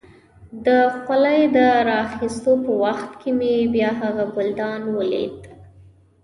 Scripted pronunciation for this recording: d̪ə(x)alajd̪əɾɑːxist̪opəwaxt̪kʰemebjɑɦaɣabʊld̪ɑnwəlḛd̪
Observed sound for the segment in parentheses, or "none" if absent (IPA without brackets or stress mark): x